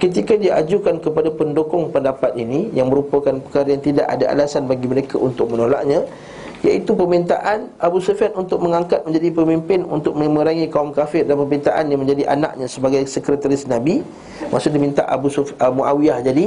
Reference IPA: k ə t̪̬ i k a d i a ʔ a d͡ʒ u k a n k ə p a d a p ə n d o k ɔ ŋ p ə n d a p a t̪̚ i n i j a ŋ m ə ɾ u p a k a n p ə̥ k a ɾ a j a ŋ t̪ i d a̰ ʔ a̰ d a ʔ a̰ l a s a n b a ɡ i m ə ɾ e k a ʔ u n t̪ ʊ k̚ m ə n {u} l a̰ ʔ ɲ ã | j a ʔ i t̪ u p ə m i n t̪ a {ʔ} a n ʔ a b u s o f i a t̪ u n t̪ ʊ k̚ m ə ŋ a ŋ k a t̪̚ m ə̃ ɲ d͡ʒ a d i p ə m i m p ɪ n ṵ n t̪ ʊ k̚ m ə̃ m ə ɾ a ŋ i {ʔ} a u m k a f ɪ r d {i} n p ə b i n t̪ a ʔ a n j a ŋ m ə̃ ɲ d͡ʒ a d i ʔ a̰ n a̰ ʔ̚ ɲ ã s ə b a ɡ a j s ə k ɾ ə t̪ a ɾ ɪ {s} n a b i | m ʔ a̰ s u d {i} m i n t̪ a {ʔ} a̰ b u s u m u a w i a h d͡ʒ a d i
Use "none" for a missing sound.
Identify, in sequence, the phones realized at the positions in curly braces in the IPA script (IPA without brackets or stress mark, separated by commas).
o, ʔ, k, a, s, i, ʔ